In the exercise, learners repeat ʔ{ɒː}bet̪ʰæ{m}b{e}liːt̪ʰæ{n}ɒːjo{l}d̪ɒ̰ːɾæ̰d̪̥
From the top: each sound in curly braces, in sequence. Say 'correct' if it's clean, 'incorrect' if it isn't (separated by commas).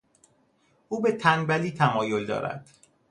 incorrect, incorrect, incorrect, incorrect, correct